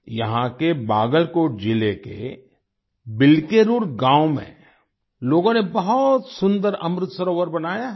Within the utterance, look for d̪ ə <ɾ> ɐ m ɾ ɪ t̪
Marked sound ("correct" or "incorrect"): correct